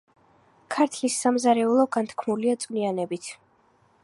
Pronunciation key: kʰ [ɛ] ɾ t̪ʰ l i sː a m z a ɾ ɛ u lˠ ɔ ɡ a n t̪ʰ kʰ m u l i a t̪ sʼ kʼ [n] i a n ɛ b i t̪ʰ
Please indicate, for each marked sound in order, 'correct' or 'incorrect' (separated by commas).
incorrect, correct